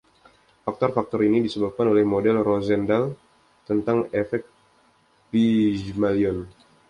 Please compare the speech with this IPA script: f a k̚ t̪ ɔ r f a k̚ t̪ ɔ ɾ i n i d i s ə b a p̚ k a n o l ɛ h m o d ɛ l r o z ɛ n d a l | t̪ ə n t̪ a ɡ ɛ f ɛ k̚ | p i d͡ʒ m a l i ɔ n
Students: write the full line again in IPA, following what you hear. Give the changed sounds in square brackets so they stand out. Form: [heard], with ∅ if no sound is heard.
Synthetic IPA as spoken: f a k̚ t̪ ɔ r f a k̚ t̪ ɔ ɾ i n i d i s ə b a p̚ k a n o l ɛ h m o d ɛ l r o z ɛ n d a l | t̪ ə n t̪ a [ŋ] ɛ f ɛ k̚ | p i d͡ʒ m a l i ɔ n